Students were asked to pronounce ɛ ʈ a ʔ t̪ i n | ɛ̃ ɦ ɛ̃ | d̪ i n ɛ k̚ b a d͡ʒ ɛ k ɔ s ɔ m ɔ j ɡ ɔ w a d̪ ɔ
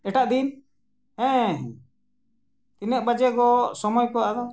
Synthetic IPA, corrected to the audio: ɛ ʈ a ʔ d̪ i n | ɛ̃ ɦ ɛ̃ | t̪ i n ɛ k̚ b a d͡ʒ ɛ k ɔ s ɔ m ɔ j k ɔ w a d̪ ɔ